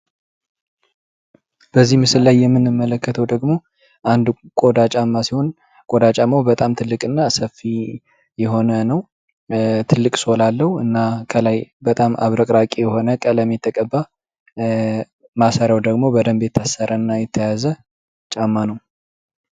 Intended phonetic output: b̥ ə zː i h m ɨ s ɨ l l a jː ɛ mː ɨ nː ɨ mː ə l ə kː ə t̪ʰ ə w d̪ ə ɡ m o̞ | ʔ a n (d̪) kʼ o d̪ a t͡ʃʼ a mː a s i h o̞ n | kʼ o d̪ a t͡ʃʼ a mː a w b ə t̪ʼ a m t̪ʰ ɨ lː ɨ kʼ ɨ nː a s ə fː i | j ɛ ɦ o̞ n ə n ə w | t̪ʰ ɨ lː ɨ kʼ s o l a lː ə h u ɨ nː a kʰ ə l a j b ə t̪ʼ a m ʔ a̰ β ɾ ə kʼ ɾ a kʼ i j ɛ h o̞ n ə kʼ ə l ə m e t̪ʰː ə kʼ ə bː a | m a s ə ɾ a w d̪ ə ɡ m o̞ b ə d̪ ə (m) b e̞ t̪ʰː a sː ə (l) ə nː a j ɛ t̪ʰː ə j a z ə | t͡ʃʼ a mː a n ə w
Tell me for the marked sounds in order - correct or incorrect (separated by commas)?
correct, correct, incorrect